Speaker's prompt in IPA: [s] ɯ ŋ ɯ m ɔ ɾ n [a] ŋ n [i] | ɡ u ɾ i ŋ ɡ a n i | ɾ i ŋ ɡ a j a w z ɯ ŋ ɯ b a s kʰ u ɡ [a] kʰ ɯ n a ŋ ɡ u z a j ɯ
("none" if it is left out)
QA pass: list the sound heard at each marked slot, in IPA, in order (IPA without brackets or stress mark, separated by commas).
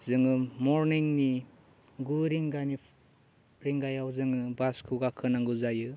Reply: z, i, i, a